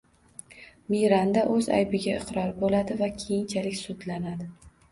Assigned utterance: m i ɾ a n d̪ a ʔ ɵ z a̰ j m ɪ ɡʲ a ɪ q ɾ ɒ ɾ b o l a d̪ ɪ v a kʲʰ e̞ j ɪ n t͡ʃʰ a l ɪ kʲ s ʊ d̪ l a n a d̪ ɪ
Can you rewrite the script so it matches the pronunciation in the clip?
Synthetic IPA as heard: m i ɾ a n d̪ a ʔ ɵ z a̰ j b ɪ ɡʲ a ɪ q ɾ ɒ ɾ b o l a d̪ ɪ v a kʲʰ e̞ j ɪ n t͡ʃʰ a l ɪ kʲ s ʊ d̪ l a n a d̪ ɪ